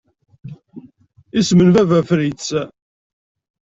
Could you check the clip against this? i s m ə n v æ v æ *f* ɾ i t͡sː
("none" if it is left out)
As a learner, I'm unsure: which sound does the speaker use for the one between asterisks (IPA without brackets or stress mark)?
f